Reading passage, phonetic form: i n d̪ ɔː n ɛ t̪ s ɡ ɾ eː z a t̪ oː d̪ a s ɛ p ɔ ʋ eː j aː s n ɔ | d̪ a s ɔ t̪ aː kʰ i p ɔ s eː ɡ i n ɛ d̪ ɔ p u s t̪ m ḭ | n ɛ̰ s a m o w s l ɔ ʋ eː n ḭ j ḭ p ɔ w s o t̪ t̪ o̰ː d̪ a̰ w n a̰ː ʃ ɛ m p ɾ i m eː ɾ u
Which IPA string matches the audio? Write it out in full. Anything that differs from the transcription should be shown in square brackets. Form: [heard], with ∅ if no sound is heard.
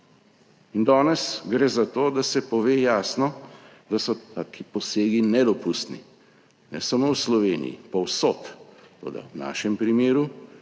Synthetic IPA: i n d̪ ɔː n ɛ [∅] s ɡ ɾ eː z a t̪ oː d̪ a s ɛ p ɔ ʋ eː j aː s n ɔ | d̪ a s ɔ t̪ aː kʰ i p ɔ s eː ɡ i n ɛ d̪ ɔ p u s t̪ [n] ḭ | n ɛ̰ s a m o w s l ɔ ʋ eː n ḭ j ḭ p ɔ w s o t̪ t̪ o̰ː d̪ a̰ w n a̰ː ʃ ɛ m p ɾ i m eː ɾ u